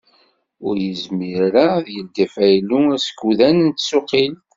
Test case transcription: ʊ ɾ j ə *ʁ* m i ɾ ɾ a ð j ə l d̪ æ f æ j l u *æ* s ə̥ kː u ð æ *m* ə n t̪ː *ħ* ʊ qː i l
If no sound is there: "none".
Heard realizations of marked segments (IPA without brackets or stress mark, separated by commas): z, æ, n, s